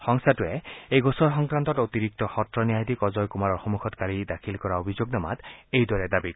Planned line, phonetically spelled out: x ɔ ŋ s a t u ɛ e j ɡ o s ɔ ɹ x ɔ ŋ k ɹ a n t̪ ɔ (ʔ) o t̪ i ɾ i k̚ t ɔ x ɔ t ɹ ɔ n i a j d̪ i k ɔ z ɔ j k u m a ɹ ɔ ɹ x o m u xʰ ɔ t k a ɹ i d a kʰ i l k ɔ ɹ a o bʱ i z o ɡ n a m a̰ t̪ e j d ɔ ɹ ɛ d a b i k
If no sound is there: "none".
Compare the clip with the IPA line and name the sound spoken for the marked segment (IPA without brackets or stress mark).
t